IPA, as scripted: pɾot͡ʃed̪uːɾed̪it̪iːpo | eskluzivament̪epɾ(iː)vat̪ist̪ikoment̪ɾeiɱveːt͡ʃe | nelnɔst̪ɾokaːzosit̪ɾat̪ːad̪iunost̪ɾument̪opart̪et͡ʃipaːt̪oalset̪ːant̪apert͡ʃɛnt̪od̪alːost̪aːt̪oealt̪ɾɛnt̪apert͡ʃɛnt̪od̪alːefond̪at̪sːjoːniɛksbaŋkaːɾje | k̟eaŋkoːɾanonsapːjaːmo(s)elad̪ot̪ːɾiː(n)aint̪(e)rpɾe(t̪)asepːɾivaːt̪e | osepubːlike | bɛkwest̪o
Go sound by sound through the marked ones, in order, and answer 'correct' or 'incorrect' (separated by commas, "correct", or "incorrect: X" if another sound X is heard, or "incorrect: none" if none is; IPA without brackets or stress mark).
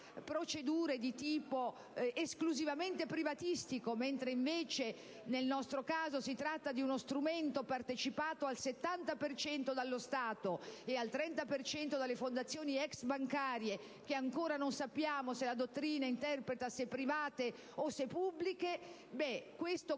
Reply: incorrect: i, correct, correct, incorrect: ɛ, correct